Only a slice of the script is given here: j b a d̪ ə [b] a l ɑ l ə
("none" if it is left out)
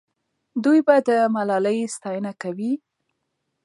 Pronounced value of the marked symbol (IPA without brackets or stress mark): m